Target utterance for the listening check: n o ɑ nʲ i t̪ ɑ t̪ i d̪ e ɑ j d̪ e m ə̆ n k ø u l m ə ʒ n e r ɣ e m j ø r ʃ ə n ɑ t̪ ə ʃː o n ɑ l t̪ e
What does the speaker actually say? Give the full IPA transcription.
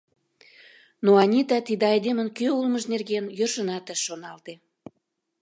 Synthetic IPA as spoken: n o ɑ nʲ i t̪ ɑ t̪ i d̪ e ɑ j d̪ e m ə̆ n k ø u l m ə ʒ n e r ɣ e n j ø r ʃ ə n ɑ t̪ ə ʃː o n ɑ l t̪ e